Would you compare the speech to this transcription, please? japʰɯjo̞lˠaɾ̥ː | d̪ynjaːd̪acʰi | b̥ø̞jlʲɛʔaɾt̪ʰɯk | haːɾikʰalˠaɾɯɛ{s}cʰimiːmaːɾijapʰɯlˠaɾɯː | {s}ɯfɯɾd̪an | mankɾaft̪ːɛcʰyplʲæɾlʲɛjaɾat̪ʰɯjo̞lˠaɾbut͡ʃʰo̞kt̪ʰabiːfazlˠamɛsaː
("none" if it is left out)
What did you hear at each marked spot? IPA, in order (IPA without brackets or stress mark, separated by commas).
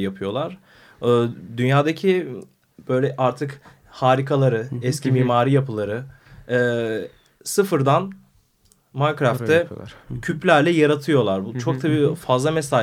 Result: s, s